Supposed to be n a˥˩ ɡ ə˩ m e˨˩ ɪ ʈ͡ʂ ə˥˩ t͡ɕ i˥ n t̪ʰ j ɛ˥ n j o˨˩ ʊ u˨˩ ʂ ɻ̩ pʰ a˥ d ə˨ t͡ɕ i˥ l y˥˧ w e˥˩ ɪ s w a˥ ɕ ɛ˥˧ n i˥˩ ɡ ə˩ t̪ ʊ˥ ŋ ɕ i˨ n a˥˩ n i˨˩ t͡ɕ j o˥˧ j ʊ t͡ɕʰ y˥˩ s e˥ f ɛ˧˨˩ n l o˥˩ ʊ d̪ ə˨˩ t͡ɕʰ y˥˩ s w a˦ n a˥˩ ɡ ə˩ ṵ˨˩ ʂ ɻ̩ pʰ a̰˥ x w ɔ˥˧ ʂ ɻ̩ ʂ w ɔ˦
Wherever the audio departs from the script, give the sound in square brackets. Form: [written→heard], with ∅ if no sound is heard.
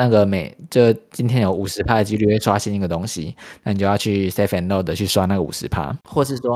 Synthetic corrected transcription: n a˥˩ ɡ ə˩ m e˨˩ ɪ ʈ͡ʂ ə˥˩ t͡ɕ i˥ n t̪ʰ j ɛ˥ n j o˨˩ ʊ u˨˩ ʂ ɻ̩ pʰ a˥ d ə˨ t͡ɕ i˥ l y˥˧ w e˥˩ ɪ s w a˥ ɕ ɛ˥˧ n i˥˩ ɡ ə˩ t̪ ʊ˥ ŋ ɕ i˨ n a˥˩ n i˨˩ t͡ɕ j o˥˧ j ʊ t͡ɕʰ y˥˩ s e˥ f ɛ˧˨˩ n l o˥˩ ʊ d̪ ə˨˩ t͡ɕʰ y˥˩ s w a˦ n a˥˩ ɡ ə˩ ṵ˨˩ ʂ ɻ̩ pʰ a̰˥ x w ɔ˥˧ ʂ ɻ̩ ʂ w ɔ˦